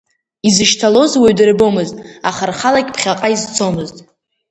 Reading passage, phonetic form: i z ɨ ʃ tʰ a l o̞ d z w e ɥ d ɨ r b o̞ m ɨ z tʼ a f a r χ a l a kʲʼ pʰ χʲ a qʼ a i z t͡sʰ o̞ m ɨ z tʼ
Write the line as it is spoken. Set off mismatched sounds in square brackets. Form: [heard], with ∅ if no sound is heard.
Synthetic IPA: i z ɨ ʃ tʰ a l o̞ [∅] z w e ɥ d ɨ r b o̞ m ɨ z tʼ a [χ] a r χ a l a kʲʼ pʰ χʲ a qʼ a i z t͡sʰ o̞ m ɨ z tʼ